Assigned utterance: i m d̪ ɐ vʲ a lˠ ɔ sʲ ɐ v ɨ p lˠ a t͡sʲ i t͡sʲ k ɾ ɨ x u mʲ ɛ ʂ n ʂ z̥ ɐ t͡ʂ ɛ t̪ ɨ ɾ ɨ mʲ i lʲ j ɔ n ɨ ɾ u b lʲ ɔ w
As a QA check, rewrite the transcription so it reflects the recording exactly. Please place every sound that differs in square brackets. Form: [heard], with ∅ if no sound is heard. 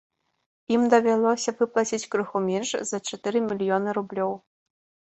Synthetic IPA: i m d̪ ɐ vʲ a lˠ ɔ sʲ ɐ v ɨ p lˠ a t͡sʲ i t͡sʲ k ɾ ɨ x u mʲ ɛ [∅] n ʂ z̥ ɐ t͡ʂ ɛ t̪ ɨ ɾ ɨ mʲ i lʲ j ɔ n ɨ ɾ u b lʲ ɔ w